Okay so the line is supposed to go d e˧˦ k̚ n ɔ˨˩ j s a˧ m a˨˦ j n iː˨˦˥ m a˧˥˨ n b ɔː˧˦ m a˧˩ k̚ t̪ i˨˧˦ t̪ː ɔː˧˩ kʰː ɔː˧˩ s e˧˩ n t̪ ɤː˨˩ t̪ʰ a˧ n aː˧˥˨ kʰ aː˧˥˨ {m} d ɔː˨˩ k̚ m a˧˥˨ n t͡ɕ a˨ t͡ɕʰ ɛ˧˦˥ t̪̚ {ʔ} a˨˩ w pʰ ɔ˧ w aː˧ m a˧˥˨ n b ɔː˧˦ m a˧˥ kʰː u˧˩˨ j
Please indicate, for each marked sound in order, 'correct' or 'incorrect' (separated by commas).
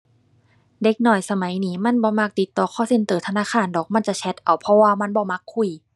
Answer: incorrect, correct